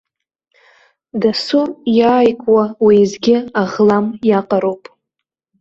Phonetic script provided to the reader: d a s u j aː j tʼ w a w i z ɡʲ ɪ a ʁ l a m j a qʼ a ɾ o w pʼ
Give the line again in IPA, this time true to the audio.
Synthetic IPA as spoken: d a s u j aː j kʼ w a w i z ɡʲ ɪ a ʁ l a m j a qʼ a ɾ o w pʼ